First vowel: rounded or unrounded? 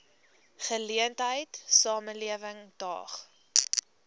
unrounded